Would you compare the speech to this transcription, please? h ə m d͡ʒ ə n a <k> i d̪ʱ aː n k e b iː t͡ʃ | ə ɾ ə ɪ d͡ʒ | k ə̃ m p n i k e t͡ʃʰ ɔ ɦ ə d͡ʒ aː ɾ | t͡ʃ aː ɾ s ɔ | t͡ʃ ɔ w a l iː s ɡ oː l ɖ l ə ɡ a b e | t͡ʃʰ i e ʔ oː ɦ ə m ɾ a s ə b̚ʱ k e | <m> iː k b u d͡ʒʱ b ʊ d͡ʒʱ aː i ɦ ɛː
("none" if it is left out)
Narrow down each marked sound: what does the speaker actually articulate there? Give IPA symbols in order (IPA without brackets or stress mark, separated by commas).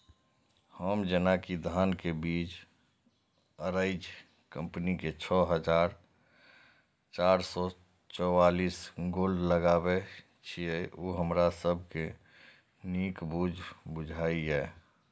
k, n